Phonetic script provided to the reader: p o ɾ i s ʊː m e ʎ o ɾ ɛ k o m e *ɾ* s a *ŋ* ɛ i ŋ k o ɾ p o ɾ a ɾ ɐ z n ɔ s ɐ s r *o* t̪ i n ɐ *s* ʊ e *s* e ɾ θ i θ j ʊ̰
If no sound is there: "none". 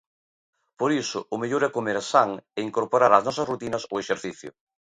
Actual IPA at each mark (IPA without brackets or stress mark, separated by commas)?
ɾ, ŋ, u, s, ʃ